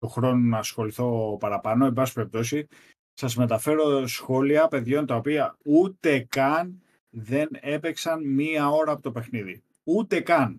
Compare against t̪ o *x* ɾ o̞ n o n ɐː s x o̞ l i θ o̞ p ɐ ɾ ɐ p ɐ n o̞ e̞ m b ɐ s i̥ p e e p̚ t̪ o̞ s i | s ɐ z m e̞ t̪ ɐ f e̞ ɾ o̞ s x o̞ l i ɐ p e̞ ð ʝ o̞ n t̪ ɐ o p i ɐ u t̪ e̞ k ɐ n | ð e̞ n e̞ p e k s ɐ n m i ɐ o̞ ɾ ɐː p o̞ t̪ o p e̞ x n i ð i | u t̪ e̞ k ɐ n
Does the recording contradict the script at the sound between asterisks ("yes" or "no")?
no